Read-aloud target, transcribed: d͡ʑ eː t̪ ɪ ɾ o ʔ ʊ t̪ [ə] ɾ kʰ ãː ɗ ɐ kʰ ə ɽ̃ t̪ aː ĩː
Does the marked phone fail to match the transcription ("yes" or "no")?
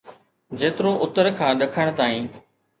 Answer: no